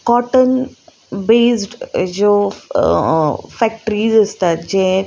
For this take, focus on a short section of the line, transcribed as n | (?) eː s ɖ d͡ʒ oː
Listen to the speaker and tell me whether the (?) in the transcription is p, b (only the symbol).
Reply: b